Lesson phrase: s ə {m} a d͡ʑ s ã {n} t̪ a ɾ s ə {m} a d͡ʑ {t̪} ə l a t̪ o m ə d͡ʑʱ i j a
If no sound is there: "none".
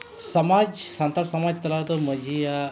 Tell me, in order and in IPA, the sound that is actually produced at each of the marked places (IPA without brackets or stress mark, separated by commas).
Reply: m, n, m, t̪